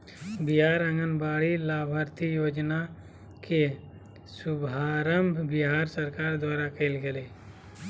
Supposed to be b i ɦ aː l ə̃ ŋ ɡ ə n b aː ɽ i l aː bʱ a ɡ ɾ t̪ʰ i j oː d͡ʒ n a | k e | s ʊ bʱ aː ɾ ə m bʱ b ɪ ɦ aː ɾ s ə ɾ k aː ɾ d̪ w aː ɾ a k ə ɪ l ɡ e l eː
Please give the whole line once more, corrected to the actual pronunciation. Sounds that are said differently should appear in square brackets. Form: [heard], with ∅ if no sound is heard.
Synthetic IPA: b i ɦ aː [ɾ] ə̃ ŋ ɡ ə n b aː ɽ i l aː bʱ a [∅] ɾ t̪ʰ i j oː d͡ʒ n a | k e | s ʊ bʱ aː ɾ ə m bʱ b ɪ ɦ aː ɾ s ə ɾ k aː ɾ d̪ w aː ɾ a k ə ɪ l ɡ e l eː